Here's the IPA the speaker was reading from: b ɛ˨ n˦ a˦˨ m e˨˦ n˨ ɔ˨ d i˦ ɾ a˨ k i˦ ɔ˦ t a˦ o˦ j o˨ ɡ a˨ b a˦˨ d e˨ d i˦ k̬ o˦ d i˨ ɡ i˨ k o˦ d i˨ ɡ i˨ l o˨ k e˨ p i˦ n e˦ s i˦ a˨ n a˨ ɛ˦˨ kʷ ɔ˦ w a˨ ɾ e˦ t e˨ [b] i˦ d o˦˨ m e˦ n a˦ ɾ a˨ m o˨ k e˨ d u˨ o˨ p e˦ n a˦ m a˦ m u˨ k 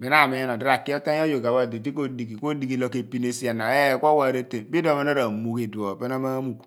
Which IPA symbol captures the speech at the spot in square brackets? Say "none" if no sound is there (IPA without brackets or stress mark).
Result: b